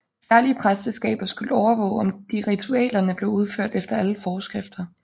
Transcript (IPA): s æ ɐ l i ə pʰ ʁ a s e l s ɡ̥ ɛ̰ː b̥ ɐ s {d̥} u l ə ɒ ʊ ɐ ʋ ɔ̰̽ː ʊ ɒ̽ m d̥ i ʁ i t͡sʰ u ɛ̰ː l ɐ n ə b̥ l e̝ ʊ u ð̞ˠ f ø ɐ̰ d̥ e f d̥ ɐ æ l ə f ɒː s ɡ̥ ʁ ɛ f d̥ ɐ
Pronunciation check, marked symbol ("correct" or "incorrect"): incorrect